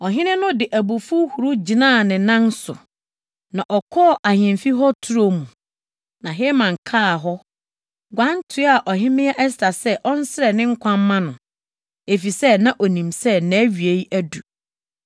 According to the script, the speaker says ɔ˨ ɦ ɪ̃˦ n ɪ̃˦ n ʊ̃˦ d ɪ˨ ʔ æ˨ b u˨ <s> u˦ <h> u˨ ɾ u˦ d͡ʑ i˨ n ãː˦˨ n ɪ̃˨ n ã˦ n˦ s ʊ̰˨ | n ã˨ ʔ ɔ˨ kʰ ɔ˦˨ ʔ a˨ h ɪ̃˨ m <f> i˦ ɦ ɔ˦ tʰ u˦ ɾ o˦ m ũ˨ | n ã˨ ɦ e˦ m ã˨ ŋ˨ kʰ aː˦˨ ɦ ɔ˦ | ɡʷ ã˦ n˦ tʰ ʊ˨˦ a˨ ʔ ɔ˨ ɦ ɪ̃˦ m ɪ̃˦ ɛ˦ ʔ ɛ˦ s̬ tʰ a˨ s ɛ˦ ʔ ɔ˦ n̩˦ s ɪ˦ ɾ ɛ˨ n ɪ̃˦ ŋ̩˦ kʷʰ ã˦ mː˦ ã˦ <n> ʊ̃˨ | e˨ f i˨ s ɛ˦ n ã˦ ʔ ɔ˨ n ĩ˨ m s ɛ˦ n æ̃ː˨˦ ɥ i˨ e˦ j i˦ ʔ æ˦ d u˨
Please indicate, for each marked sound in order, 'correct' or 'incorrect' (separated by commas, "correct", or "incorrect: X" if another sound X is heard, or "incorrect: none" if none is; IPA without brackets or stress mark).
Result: incorrect: f, correct, correct, correct